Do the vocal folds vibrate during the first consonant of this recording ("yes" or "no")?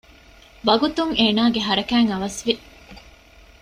yes